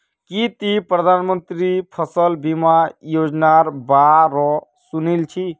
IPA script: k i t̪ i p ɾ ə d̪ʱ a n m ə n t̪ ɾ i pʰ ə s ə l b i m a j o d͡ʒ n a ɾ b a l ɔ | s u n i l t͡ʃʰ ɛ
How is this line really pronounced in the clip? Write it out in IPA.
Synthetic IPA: k i t̪ i p ɾ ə d̪ʱ a n m ə n t̪ ɾ i pʰ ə s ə l b i m a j o d͡ʒ n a ɾ b a ɾ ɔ | s u n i l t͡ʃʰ i